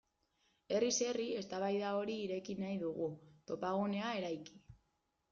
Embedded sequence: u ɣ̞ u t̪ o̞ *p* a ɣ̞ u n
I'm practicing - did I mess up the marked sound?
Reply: no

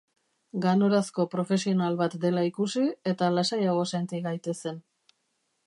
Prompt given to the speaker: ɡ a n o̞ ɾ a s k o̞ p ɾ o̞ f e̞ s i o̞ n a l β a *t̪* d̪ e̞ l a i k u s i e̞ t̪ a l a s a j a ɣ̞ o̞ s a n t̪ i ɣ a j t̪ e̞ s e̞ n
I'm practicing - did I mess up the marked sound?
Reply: no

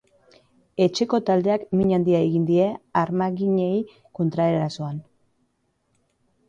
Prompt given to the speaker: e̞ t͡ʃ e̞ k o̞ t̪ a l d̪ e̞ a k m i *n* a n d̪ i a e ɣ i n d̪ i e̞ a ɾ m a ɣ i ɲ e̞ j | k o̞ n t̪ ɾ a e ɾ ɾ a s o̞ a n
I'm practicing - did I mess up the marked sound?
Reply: yes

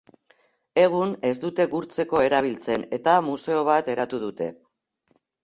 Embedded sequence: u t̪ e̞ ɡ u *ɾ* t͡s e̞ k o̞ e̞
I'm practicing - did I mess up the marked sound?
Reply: no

